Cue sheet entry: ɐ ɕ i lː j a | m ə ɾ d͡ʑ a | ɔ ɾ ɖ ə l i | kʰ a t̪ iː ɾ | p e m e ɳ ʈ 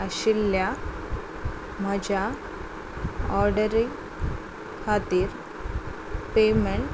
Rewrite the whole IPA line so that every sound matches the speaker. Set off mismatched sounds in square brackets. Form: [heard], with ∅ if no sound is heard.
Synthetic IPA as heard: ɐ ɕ i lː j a | m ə [∅] d͡ʑ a | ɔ ɾ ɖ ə [ɾ] i | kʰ a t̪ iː ɾ | p e m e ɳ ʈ

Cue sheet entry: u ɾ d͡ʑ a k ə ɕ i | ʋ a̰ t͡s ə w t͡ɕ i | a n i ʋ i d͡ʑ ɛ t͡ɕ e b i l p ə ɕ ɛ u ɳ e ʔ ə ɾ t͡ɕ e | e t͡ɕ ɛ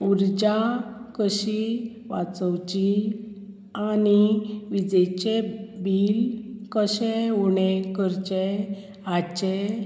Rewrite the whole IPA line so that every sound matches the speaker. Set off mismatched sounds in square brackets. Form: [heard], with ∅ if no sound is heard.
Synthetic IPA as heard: u ɾ d͡ʑ a k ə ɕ i | ʋ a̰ t͡s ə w t͡ɕ i | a n i ʋ i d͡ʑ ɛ t͡ɕ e b i l [k] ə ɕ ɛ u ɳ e [k] ə ɾ t͡ɕ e | [a] t͡ɕ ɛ

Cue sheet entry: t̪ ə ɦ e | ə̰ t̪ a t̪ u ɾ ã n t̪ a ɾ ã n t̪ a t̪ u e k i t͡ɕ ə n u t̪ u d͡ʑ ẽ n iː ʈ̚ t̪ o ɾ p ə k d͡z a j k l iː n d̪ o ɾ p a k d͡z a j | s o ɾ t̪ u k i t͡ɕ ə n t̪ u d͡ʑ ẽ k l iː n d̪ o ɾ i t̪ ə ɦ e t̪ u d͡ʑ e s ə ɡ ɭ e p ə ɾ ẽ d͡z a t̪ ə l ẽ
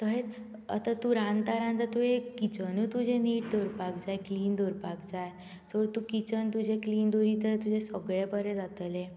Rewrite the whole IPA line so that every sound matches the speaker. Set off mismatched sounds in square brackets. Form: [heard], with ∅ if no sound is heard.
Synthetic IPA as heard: t̪ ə ɦ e | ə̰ t̪ a t̪ u ɾ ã n t̪ a ɾ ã n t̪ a t̪ u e k i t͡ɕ ə n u t̪ u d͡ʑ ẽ n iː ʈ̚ [d̪] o ɾ p [a] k d͡z a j k l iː n d̪ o ɾ p a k d͡z a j | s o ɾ t̪ u k i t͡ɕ ə n t̪ u d͡ʑ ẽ k l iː n d̪ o ɾ i t̪ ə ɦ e t̪ u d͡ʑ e s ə ɡ ɭ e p ə ɾ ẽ d͡z a t̪ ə l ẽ

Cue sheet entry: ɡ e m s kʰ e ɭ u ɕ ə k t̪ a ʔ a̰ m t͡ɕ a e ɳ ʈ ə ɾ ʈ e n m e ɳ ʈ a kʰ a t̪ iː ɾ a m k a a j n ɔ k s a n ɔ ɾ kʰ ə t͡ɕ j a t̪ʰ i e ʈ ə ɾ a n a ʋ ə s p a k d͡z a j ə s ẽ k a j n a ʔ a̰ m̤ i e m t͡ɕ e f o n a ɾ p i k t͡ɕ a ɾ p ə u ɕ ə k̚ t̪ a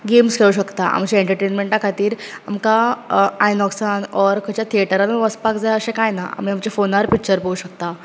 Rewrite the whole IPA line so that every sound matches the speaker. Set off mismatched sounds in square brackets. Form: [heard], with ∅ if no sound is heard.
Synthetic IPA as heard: ɡ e m s kʰ e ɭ u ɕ ə k t̪ a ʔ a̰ m t͡ɕ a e ɳ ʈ ə ɾ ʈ e n m e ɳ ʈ a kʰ a t̪ iː ɾ a m k a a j n ɔ k s a n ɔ ɾ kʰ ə t͡ɕ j a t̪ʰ i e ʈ ə ɾ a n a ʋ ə s p a k d͡z a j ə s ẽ k a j n a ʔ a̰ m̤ i [a] m t͡ɕ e f o n a ɾ p i k t͡ɕ [ə] ɾ p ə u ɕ ə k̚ t̪ a

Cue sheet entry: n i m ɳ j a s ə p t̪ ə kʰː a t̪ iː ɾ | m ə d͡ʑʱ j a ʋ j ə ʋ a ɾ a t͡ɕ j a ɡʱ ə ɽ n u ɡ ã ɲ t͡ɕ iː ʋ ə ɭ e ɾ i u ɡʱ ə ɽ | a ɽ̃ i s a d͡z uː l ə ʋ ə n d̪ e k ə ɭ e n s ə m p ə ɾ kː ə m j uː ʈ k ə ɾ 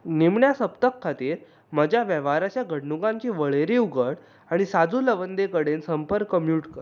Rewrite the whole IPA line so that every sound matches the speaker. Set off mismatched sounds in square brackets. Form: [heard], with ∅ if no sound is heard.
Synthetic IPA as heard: n i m ɳ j a s ə p t̪ ə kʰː a t̪ iː ɾ | m ə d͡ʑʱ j a ʋ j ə ʋ a ɾ a t͡ɕ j a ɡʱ ə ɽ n u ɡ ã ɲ t͡ɕ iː ʋ ə ɭ e ɾ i u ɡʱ ə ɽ | a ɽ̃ i s a d͡z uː l ə ʋ ə n d̪ e k ə [ɽ] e n s ə m p ə ɾ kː ə m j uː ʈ k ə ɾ

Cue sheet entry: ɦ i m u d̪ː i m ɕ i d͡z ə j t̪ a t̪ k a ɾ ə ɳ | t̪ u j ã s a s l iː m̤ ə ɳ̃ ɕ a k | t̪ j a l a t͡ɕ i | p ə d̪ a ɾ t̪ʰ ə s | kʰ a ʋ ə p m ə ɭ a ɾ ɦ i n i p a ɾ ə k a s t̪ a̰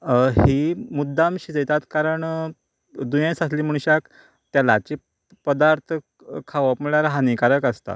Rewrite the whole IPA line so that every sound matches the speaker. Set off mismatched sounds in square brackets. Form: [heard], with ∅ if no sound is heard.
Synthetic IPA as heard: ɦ i m u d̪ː [a] m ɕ i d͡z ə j t̪ a t̪ k a ɾ ə ɳ | [d̪] u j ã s a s l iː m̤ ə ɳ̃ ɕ a k | t̪ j a l a t͡ɕ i | p ə d̪ a ɾ t̪ʰ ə [∅] | kʰ a ʋ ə p m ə ɭ a ɾ ɦ [a] n i [k] a ɾ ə k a s t̪ a̰

